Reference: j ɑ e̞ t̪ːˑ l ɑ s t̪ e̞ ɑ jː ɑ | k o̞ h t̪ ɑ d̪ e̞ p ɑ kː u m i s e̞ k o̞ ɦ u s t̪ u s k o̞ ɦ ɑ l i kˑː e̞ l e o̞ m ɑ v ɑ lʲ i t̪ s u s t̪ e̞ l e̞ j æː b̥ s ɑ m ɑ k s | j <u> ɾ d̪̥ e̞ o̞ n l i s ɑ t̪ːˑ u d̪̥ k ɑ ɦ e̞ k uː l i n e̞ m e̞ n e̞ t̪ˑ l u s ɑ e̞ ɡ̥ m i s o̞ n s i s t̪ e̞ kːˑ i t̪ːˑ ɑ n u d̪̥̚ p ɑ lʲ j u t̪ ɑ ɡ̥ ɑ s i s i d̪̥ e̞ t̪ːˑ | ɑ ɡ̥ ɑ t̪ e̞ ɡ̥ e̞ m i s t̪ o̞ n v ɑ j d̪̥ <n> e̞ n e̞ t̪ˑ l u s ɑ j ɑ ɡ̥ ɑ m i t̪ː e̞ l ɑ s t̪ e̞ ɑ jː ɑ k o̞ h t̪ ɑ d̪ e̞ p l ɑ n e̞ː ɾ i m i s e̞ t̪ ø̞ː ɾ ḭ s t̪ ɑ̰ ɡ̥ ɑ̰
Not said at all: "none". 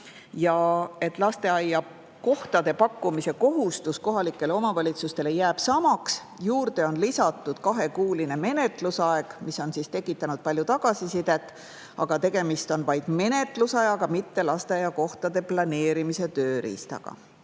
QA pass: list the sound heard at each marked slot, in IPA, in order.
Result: uː, m

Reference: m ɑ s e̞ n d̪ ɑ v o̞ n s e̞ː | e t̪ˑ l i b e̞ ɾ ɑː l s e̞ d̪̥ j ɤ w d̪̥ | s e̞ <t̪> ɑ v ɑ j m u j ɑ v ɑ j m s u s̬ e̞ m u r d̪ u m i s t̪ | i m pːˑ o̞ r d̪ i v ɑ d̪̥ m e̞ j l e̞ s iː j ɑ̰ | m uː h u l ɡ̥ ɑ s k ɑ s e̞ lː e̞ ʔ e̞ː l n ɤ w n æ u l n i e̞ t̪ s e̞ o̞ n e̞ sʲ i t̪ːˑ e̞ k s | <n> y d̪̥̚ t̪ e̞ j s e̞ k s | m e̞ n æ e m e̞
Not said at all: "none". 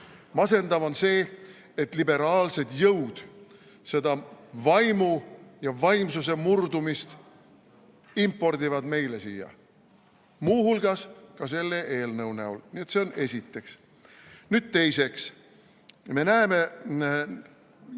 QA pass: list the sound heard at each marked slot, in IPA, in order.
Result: d̪, n

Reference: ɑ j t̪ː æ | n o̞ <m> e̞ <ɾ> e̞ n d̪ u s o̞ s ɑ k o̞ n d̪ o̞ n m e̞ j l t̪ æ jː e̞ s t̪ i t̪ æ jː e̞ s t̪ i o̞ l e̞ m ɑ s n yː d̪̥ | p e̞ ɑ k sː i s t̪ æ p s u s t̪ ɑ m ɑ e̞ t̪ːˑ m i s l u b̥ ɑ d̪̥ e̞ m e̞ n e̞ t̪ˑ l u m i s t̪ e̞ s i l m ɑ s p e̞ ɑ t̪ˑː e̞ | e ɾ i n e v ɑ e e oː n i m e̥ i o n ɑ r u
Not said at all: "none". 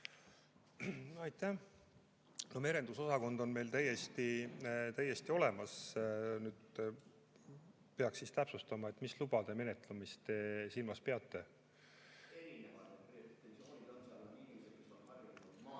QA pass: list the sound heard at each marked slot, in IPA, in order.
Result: m, ɾ

